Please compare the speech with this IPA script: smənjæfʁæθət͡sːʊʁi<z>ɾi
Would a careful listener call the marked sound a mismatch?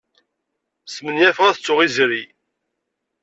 no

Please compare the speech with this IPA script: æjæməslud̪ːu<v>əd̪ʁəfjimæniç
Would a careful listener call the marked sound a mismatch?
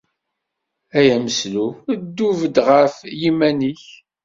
no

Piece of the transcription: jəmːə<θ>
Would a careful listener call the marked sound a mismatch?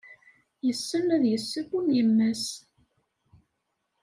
yes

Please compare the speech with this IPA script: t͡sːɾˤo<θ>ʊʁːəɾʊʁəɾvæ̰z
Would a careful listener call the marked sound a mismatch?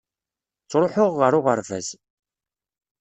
yes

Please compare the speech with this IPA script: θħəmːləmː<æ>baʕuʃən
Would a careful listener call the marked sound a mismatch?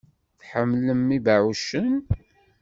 yes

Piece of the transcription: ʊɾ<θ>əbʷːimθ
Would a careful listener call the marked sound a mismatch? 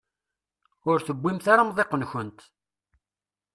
no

